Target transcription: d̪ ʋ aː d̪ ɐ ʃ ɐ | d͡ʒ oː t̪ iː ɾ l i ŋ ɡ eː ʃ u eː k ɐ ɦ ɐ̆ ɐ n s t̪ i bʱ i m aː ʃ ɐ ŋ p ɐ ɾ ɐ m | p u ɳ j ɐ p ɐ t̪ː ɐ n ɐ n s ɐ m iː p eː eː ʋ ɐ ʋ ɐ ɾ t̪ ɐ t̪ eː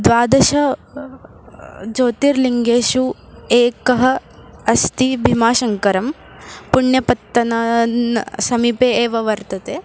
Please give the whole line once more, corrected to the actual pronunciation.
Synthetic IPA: d̪ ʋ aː d̪ ɐ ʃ ɐ | d͡ʒ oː t̪ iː ɾ l i ŋ ɡ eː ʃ u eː k ɐ ɦ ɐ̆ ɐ s t̪ i bʱ i m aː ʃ ɐ ŋ k ɐ ɾ ɐ m | p u ɳ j ɐ p ɐ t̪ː ɐ n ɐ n s ɐ m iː p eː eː ʋ ɐ ʋ ɐ ɾ t̪ ɐ t̪ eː

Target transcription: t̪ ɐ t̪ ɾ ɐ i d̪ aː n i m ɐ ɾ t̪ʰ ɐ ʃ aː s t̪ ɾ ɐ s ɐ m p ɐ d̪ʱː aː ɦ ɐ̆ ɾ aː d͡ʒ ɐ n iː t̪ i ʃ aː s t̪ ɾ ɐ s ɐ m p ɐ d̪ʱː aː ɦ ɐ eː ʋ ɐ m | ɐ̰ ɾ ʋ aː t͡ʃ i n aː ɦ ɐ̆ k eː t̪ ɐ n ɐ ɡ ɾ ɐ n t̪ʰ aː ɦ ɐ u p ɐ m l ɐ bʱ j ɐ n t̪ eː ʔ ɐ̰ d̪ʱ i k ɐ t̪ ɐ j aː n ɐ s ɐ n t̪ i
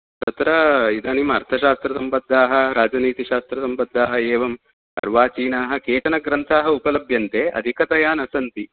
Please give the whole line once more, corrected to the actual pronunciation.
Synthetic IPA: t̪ ɐ t̪ ɾ ɐ i d̪ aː n i m ɐ ɾ t̪ʰ ɐ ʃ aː s t̪ ɾ ɐ s ɐ m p ɐ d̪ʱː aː ɦ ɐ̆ ɾ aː d͡ʒ ɐ n iː t̪ i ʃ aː s t̪ ɾ ɐ s ɐ m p ɐ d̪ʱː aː ɦ ɐ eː ʋ ɐ m | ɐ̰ ɾ ʋ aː t͡ʃ iː n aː ɦ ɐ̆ k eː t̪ ɐ n ɐ ɡ ɾ ɐ n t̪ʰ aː ɦ ɐ u p ɐ l ɐ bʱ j ɐ n t̪ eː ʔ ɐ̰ d̪ʱ i k ɐ t̪ ɐ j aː n ɐ s ɐ n t̪ i

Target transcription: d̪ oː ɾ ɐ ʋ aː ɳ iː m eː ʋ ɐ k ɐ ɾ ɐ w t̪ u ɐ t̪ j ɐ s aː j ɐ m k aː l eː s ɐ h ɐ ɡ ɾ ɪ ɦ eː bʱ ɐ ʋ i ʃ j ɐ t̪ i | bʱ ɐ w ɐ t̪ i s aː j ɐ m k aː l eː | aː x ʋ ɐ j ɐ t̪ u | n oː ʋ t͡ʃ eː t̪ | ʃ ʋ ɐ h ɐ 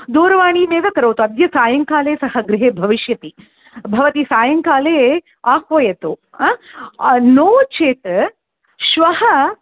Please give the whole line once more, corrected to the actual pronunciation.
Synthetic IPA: d̪ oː ɾ ɐ ʋ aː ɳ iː m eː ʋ ɐ k ɐ ɾ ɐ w t̪ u ɐ d̪ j ɐ s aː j ɐ ŋ k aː l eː s ɐ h ɐ ɡ ɾ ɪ ɦ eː bʱ ɐ ʋ i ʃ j ɐ t̪ i | bʱ ɐ ʋ ɐ t̪ i s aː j ɐ ŋ k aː l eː | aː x ʋ ɐ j ɐ t̪ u | n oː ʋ t͡ʃ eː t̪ | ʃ ʋ ɐ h ɐ

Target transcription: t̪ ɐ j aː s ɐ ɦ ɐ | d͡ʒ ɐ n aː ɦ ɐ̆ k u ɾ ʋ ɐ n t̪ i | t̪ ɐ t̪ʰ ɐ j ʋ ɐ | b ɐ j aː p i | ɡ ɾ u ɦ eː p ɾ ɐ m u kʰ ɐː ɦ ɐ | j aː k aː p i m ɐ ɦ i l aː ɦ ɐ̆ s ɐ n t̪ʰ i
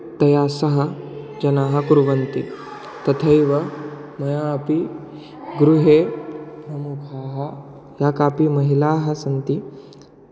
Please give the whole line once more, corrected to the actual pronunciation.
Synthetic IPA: t̪ ɐ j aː s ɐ ɦ ɐ | d͡ʒ ɐ n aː ɦ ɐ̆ k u ɾ ʋ ɐ n t̪ i | t̪ ɐ t̪ʰ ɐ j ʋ ɐ | m ɐ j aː p i | ɡ ɾ u ɦ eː p ɾ ɐ m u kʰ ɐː ɦ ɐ | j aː k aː p i m ɐ ɦ i l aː ɦ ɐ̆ s ɐ n t̪ i

